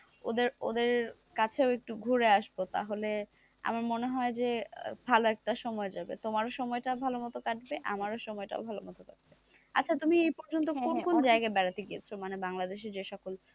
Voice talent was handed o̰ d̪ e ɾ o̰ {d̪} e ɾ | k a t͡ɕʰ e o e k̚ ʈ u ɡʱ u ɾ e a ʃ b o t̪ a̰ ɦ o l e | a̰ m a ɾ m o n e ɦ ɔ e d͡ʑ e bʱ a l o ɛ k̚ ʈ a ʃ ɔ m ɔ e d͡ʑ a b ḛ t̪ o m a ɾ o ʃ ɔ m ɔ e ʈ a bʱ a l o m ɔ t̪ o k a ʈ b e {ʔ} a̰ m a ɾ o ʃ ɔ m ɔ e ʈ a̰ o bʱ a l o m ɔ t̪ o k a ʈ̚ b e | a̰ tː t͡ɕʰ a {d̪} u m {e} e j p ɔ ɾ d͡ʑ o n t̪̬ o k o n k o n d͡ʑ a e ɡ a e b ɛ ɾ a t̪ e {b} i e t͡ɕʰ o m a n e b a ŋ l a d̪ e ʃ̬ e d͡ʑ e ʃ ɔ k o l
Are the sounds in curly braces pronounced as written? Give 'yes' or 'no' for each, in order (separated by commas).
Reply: yes, yes, no, no, no